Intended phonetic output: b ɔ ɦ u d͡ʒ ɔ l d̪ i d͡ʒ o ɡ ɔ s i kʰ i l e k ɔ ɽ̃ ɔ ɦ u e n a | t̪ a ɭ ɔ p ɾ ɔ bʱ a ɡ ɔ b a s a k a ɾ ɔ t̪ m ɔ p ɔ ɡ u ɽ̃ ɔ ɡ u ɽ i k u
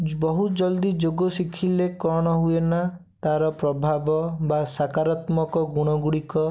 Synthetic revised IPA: b ɔ ɦ u d͡ʒ ɔ l d̪ i d͡ʒ o ɡ ɔ s i kʰ i l e k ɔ ɽ̃ ɔ ɦ u e n a | t̪ a ɾ ɔ p ɾ ɔ bʱ a b ɔ b a s a k a ɾ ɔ t̪ m ɔ k ɔ ɡ u ɽ̃ ɔ ɡ u ɽ i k ɔ